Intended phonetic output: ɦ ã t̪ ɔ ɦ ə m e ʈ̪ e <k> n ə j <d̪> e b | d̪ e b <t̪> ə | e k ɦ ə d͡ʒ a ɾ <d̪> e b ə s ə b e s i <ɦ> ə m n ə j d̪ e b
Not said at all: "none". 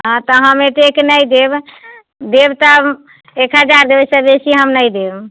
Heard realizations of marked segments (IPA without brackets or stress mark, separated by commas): k, d̪, t̪, d̪, ɦ